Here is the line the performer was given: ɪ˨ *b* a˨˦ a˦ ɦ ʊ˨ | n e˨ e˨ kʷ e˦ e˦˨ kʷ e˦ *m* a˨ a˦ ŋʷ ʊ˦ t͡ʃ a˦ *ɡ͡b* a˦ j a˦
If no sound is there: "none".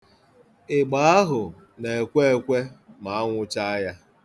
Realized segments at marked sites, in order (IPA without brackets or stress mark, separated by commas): ɡ͡b, m, none